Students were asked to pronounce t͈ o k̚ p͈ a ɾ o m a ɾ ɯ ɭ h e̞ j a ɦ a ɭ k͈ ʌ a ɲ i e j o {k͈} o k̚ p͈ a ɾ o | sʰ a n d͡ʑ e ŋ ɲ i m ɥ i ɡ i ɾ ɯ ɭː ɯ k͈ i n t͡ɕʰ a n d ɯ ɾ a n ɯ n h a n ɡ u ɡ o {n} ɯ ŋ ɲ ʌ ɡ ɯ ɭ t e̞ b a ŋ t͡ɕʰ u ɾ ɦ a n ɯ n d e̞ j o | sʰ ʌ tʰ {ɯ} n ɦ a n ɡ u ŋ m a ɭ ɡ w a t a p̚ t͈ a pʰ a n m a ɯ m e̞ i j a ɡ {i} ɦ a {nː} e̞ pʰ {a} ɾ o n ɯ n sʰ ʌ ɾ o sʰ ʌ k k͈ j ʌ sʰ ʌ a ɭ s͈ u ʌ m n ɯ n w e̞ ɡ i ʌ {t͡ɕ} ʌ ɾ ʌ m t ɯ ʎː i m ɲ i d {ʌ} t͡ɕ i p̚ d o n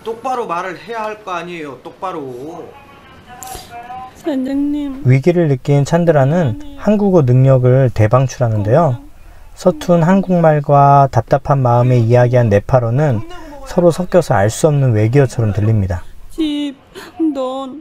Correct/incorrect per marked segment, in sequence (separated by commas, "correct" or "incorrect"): incorrect, correct, incorrect, correct, correct, correct, incorrect, incorrect